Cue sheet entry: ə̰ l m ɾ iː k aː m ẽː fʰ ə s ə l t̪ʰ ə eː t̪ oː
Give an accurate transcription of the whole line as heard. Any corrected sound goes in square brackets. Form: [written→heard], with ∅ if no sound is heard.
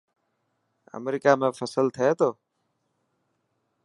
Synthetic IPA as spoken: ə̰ [l→∅] m ɾ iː k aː m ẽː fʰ ə s ə l t̪ʰ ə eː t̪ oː